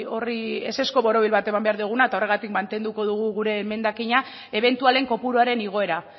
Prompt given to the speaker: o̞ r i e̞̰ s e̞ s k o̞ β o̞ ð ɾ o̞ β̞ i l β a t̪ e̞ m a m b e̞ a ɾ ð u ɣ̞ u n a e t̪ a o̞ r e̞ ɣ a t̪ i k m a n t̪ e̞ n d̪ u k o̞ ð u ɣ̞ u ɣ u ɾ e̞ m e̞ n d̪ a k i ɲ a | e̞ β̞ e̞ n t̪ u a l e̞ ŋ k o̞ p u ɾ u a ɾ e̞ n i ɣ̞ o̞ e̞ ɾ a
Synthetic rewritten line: o̞ r i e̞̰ s e̞ s k o̞ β o̞ ɾ o̞ β̞ i l β a t̪ e̞ m a m b e̞ a ɾ ð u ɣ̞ u n a e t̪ a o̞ r e̞ ɣ a t̪ i k m a n t̪ e̞ n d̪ u k o̞ ð u ɣ̞ u ɣ u ɾ e̞ m e̞ n d̪ a k i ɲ a | e̞ β̞ e̞ n t̪ u a l e̞ ŋ k o̞ p u ɾ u a ɾ e̞ n i ɣ̞ o̞ e̞ ɾ a